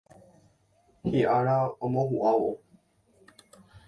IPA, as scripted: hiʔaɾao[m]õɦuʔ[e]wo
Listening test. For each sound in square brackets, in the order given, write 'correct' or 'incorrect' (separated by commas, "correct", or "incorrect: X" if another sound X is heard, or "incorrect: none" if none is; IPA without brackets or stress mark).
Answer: correct, incorrect: a